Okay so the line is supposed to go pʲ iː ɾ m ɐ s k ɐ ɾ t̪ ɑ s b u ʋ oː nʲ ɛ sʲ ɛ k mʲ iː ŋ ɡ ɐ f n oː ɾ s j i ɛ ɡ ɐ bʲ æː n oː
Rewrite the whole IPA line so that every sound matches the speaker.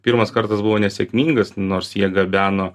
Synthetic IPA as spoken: pʲ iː ɾ m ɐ s k ɐ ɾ t̪ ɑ s b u ʋ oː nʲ ɛ sʲ ɛ k mʲ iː ŋ ɡ ɐ s n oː ɾ s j i ɛ ɡ ɐ bʲ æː n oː

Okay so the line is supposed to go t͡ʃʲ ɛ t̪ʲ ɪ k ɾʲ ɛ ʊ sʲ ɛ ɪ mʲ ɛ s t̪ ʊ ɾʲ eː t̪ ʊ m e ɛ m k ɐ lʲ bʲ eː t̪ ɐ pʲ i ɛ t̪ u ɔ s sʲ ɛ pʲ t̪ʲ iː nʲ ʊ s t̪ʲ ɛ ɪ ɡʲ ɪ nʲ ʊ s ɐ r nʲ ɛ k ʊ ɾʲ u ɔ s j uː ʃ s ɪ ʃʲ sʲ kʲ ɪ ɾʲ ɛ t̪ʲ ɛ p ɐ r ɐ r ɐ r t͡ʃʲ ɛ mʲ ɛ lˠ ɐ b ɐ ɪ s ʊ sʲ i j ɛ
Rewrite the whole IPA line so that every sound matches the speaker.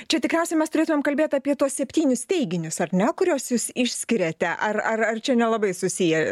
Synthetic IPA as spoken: t͡ʃʲ ɛ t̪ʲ ɪ k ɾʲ ɛ ʊ sʲ ɛ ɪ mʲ ɛ s t̪ ʊ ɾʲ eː t̪ ʊ m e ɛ m k ɐ lʲ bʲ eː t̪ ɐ pʲ i ɛ t̪ u ɔ s sʲ ɛ pʲ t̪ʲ iː nʲ ʊ s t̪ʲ ɛ ɪ ɡʲ ɪ nʲ ʊ s ɐ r nʲ ɛ k ʊ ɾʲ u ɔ s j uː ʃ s ɪ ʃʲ sʲ kʲ ɪ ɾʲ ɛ t̪ʲ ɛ ʔ ɐ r ɐ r ɐ r t͡ʃʲ ɛ nʲ ɛ lˠ ɐ b ɐ ɪ s ʊ sʲ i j ɛ

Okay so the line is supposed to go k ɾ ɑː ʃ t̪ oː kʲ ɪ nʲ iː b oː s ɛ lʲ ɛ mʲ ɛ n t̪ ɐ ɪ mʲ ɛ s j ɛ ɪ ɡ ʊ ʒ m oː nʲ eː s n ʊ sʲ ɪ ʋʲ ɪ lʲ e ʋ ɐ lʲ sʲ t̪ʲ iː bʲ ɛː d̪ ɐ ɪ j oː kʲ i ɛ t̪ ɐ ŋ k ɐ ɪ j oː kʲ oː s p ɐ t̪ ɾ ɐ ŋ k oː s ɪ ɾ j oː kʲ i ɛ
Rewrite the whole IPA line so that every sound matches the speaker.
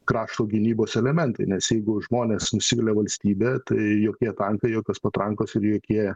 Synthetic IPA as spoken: k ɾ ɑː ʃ t̪ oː ɡʲ ɪ nʲ iː b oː s ɛ lʲ ɛ mʲ ɛ n t̪ ɐ ɪ nʲ ɛ s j ɛ ɪ ɡ ʊ ʒ m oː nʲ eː s n ʊ sʲ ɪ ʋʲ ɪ lʲ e ʋ ɐ lʲ sʲ t̪ʲ iː bʲ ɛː t̪ ɐ ɪ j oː kʲ i ɛ t̪ ɐ ŋ k ɐ ɪ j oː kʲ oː s p ɐ t̪ ɾ ɐ ŋ k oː s ɪ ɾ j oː kʲ i ɛ

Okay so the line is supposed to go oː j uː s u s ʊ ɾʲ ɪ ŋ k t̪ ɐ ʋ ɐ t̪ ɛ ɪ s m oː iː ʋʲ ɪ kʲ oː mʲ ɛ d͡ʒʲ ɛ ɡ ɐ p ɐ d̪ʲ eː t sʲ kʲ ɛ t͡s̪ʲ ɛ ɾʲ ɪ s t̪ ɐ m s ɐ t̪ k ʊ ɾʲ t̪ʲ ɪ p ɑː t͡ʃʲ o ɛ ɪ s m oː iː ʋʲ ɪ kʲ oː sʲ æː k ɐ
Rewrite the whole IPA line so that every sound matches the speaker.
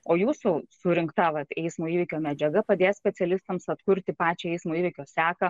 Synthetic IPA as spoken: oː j uː s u s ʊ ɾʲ ɪ ŋ k t̪ ɐ ʋ ɐ t̪ ɛ ɪ s m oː iː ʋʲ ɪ kʲ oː mʲ ɛ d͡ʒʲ ɛ ɡ ɐ p ɐ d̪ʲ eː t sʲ pʲ ɛ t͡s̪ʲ ɛ lʲ ɪ s t̪ ɐ m s ɐ t̪ k ʊ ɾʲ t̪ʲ ɪ p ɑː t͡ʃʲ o ɛ ɪ s m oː iː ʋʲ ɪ kʲ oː sʲ æː k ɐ

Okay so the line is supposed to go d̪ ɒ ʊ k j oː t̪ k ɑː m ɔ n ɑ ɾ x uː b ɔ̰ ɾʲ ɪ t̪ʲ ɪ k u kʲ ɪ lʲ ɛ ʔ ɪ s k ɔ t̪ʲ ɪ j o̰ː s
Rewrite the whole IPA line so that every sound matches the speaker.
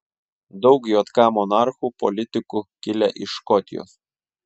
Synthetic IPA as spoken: d̪ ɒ ʊ k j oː t̪ k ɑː m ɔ n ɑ ɾ x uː p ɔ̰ lʲ ɪ t̪ʲ ɪ k u kʲ ɪ lʲ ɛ ʔ ɪ ʃ k ɔ t̪ʲ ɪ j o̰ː s

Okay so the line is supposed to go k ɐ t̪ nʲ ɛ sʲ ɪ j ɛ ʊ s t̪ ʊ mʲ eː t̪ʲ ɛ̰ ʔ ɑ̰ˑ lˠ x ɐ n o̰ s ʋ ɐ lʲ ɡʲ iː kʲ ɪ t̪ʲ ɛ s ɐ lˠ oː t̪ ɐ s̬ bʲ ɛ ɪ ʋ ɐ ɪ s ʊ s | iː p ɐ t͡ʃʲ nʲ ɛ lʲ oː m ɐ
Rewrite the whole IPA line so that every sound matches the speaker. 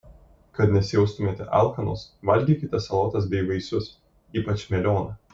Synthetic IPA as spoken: k ɐ t̪ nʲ ɛ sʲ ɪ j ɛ ʊ s t̪ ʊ mʲ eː t̪ʲ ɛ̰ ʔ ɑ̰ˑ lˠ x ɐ n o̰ s ʋ ɐ lʲ ɡʲ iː kʲ ɪ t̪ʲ ɛ s ɐ lˠ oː t̪ ɐ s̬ bʲ ɛ ɪ ʋ ɐ ɪ s ʊ s | iː p ɐ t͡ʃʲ mʲ ɛ lʲ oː n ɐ

